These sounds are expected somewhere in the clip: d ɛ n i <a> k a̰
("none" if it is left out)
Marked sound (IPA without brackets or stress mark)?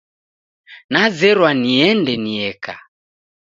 ɛ